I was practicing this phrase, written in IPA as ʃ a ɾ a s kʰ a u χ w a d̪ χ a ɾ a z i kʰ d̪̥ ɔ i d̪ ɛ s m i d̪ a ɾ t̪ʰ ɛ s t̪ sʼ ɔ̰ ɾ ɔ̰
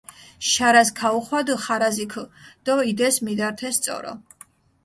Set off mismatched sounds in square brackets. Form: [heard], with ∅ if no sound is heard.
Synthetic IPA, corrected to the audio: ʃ a ɾ a s kʰ a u χ w a d̪ χ a ɾ a z i kʰ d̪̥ ɔ i d̪ ɛ s m i d̪ a ɾ t̪ʰ ɛ s t̪ sʼ ɔ̰ ɾ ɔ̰